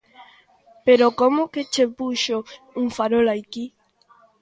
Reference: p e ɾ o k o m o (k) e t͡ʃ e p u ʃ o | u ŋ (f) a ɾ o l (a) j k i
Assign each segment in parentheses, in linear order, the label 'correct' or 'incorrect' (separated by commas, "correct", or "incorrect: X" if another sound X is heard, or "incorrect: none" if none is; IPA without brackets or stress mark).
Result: correct, correct, correct